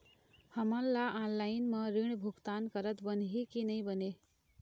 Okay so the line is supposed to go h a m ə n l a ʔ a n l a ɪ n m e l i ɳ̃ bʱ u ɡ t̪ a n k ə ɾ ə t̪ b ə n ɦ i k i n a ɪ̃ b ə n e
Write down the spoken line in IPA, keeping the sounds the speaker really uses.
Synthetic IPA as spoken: h ə m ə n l a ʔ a n l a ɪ n m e ɾ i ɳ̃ bʱ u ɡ t̪ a n k ə ɾ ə t̪ b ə n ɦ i k i n ə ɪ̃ b ə n e

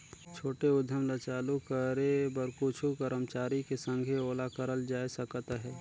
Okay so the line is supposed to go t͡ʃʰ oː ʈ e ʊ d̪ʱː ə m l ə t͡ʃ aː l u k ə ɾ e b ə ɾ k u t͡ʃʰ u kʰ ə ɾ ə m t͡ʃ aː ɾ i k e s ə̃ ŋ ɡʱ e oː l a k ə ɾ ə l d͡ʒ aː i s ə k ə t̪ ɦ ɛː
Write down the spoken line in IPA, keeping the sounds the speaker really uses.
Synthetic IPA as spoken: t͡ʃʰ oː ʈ e ʊ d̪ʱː ə m l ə t͡ʃ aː l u k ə ɾ e b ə ɾ k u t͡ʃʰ u k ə ɾ ə m t͡ʃ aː ɾ i k e s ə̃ ŋ ɡʱ e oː l a k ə ɾ ə l d͡ʒ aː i s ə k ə t̪ ɦ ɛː

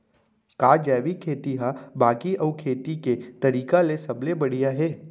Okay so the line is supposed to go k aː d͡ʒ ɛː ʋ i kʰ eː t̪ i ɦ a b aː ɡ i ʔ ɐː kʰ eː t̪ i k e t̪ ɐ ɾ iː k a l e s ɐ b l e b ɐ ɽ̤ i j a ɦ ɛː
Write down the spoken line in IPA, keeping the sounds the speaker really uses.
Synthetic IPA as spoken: k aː d͡ʒ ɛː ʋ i kʰ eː t̪ i ɦ a b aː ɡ i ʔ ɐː kʰ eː t̪ i k e t̪ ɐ ɾ iː k a l e s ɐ b l e b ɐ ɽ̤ i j a ɦ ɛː

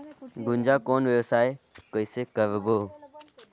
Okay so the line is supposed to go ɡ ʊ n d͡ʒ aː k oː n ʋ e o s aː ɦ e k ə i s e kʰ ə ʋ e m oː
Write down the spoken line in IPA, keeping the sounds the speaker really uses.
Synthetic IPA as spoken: ɡ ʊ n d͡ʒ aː k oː n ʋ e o s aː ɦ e k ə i s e k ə ʋ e b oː

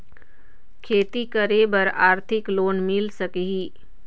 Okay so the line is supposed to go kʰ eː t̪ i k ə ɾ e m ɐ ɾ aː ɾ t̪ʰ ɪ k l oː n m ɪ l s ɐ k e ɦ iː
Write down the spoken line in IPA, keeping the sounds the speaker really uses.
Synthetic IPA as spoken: kʰ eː t̪ i k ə ɾ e b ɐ ɾ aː ɾ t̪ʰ ɪ k l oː n m ɪ l s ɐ k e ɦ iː

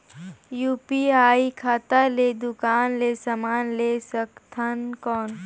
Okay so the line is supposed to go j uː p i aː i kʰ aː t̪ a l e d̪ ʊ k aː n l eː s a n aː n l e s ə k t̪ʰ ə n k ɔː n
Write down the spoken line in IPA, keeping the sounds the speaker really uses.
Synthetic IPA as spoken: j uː p i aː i kʰ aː t̪ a l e d̪ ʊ k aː n l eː s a m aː n l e s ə k t̪ʰ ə n k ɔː n

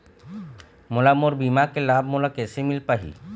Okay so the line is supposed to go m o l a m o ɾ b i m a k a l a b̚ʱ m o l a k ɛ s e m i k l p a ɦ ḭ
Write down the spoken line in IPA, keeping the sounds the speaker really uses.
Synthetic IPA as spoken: m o l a m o ɾ b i m a k e l a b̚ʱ m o l a k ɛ s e m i l p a ɦ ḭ

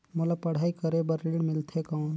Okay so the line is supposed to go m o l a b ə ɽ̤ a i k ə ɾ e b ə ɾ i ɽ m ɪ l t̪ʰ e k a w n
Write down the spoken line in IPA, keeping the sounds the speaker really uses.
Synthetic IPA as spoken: m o l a p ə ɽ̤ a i k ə ɾ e b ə ɾ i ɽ m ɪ l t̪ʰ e k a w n

